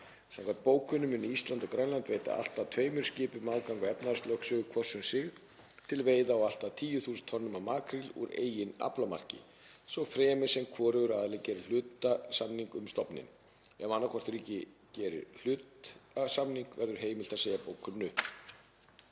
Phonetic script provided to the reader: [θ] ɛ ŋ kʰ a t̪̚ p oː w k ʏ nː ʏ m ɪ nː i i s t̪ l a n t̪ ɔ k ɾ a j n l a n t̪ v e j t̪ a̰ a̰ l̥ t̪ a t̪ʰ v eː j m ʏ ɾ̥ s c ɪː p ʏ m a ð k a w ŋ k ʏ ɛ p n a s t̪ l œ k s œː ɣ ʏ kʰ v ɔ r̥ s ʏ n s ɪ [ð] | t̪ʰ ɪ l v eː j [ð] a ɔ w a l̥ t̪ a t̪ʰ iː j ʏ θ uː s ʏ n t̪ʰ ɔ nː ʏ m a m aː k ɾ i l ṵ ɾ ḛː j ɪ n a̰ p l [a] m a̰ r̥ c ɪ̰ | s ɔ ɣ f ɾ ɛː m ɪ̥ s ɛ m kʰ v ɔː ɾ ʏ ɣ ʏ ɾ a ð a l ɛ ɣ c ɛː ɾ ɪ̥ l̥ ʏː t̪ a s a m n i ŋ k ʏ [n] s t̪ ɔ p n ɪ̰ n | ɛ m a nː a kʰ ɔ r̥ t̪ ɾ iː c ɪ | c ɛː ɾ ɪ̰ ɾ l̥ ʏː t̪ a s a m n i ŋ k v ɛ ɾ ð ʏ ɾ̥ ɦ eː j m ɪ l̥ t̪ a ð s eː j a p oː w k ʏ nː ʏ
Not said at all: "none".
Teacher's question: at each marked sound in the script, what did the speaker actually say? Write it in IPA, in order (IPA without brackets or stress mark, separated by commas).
s, ɣ, ð, a, m